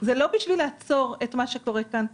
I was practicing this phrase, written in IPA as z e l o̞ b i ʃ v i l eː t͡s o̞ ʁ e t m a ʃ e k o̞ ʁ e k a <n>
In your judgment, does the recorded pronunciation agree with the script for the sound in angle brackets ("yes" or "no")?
yes